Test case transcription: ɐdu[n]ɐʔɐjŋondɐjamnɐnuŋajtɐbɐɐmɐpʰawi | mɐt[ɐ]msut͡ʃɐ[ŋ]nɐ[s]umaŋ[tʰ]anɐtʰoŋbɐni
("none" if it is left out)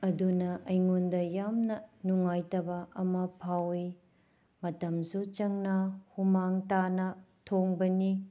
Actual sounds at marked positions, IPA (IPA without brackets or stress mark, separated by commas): n, ɐ, ŋ, h, t